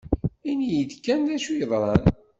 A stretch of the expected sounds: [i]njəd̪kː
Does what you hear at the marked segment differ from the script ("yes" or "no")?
no